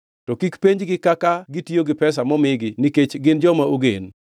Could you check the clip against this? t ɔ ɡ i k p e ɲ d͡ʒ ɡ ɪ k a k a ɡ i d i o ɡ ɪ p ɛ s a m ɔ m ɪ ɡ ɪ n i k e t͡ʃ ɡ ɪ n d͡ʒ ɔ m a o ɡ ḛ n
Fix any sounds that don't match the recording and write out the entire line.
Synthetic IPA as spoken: t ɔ k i k p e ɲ d͡ʒ ɡ ɪ k a k a ɡ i t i o ɡ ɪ p ɛ s a m ɔ m ɪ ɡ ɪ n i k e t͡ʃ ɡ ɪ n d͡ʒ ɔ m a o ɡ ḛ n